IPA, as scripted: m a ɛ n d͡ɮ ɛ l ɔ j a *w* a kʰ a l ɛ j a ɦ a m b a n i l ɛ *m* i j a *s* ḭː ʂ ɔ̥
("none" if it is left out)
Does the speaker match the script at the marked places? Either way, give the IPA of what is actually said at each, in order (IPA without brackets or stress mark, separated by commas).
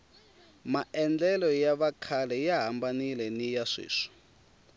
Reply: β, n, ʂ